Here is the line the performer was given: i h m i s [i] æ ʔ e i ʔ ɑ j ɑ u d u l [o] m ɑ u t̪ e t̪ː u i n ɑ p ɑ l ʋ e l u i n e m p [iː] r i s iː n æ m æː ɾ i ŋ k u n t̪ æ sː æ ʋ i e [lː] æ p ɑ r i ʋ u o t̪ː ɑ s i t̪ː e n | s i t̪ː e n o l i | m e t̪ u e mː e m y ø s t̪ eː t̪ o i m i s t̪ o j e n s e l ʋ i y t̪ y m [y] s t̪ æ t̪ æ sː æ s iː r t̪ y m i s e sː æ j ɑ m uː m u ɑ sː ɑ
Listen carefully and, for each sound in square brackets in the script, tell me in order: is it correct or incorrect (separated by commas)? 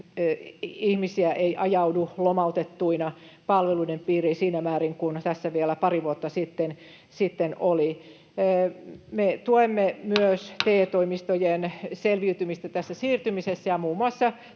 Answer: correct, correct, correct, incorrect, incorrect